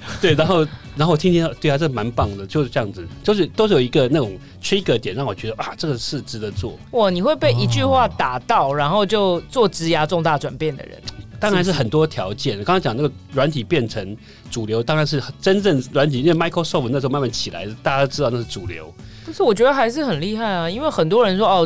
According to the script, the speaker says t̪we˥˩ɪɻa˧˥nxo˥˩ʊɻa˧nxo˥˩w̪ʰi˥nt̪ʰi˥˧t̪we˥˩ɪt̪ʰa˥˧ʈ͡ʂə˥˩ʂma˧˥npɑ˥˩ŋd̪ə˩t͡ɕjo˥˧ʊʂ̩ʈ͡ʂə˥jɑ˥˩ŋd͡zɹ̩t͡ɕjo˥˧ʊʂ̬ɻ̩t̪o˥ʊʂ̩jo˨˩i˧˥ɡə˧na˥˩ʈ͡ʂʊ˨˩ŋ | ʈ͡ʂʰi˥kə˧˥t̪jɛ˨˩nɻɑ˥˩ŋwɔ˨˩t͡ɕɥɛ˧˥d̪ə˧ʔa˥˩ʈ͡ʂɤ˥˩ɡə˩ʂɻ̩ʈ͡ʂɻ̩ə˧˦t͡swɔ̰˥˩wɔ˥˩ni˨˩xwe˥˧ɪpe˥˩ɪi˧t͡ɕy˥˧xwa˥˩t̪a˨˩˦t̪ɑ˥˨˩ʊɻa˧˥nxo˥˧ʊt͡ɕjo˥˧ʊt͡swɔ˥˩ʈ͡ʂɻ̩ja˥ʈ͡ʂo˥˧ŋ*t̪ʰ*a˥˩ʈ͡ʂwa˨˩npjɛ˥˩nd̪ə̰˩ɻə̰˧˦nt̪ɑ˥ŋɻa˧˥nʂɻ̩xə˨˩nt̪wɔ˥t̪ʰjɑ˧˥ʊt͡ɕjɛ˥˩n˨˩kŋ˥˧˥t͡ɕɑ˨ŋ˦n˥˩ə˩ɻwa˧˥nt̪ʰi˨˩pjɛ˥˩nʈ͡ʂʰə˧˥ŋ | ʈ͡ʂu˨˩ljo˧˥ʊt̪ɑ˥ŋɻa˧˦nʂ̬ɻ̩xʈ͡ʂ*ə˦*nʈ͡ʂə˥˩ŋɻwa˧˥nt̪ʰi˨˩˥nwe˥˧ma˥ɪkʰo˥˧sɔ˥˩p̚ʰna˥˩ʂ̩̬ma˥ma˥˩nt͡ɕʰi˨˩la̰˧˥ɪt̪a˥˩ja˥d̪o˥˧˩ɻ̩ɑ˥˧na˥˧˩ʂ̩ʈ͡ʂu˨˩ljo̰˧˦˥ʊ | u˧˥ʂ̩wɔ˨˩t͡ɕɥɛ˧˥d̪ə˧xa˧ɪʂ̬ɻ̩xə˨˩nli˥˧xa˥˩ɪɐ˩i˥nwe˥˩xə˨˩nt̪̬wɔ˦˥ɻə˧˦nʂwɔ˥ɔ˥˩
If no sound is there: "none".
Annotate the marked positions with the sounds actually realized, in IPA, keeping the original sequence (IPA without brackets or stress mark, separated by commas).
t̪, ə˦